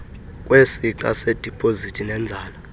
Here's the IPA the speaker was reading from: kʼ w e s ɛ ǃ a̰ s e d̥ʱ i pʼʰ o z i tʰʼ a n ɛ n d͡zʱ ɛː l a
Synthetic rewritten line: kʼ w e s i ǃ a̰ s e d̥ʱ i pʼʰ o z i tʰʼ i n ɛ n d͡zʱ aː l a

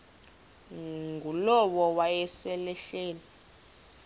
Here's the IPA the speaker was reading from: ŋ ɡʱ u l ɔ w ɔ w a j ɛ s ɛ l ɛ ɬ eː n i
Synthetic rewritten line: ŋ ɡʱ u l ɔ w ɔ w a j ɛ s ɛ l ɛ ɬ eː n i

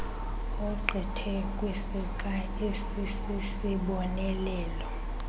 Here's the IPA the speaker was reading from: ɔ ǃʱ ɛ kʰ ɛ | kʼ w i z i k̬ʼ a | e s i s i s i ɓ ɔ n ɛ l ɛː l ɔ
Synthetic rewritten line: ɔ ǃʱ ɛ tʰ ɛ | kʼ w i s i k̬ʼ a | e s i s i s i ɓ ɔ n ɛ l ɛː l ɔ

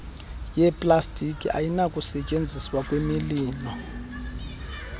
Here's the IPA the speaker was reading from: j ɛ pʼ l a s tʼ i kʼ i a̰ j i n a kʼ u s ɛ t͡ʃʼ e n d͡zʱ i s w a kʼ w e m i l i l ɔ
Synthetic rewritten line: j ɛ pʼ l a s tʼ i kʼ i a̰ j i n a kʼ u s ɛ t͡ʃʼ e n d͡zʱ i s w a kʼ w e m i l iː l ɔ

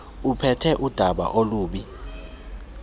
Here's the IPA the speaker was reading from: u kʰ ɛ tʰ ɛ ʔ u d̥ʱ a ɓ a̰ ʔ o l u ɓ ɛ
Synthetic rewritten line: u pʰ ɛ tʰ ɛ ʔ u d̥ʱ a ɓ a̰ ʔ o l uː ɓ i

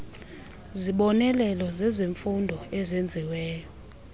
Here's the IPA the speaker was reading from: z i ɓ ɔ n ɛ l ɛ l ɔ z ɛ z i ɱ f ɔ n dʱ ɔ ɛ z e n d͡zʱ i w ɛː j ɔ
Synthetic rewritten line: z i ɓ ɔ n ɛ l ɛ l ɔ z ɛ z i ɱ f u n dʱ ɔ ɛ z e n d͡zʱ i w ɛː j ɔ

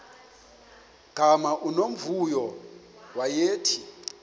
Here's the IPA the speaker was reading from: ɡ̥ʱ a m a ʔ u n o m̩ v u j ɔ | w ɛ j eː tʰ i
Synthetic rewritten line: ɡ̥ʱ a m a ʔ u n o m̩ v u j ɔ | w a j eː tʰ i

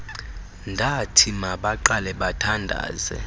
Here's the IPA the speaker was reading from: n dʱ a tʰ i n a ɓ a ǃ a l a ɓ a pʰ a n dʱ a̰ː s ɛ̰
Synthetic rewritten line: n dʱ a tʰ i m a ɓ a ǃ a l ɛ ɓ a tʰ a n dʱ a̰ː z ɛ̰

